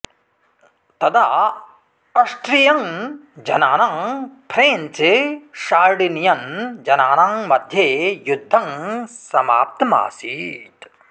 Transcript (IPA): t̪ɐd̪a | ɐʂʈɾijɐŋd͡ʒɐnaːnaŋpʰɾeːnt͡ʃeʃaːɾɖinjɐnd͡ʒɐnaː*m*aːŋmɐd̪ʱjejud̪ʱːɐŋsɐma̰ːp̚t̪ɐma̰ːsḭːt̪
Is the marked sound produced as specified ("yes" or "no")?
no